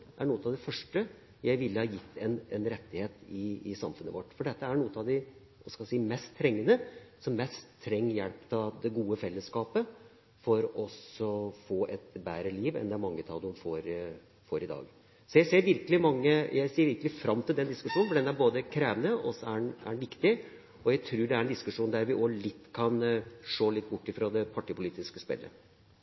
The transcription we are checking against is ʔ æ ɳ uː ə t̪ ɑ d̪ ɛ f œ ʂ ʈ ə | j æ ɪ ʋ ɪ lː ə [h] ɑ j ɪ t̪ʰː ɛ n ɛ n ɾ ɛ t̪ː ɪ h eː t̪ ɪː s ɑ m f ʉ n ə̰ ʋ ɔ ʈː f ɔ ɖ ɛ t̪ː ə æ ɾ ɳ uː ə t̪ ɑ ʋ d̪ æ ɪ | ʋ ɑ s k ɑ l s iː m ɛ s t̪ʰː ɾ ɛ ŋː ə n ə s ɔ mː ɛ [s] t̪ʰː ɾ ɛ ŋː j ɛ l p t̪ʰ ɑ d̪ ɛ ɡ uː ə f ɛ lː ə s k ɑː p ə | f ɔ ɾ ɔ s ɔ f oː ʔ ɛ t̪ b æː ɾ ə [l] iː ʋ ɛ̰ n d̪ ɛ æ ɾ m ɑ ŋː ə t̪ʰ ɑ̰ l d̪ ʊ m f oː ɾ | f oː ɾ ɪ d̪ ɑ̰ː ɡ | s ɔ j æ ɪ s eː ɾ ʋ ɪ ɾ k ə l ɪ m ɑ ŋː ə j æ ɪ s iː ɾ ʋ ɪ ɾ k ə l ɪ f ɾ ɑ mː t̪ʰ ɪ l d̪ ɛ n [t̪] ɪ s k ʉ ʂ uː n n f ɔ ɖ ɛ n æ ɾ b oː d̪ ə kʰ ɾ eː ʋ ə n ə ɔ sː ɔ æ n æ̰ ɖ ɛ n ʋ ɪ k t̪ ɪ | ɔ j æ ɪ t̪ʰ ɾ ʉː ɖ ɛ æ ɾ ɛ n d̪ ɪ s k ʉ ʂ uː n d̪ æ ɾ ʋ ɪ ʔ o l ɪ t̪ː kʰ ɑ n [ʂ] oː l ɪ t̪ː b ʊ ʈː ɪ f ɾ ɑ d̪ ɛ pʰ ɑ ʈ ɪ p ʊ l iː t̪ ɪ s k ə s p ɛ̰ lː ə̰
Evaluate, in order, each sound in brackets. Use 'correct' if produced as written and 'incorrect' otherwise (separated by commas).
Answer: correct, correct, correct, incorrect, correct